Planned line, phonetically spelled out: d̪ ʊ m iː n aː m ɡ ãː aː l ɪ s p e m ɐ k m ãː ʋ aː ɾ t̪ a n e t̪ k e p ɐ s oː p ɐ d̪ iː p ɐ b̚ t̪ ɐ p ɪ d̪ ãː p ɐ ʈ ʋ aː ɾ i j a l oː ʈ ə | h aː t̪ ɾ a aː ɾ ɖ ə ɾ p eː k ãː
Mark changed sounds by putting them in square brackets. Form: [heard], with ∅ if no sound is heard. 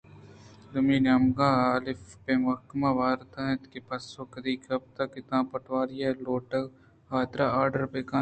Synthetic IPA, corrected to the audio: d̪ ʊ m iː n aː m ɡ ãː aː l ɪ [f] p e m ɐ k m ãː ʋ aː ɾ t̪ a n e t̪ k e p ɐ s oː [k] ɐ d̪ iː [k] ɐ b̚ t̪ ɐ [k] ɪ [t̪] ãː p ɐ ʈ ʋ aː ɾ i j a l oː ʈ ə | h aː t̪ ɾ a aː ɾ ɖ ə ɾ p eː k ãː